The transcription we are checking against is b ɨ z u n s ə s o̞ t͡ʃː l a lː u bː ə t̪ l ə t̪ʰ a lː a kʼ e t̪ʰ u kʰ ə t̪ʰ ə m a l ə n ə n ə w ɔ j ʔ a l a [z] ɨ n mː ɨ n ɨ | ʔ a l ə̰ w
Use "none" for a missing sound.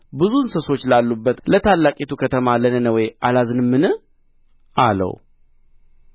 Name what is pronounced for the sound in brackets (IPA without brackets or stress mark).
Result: z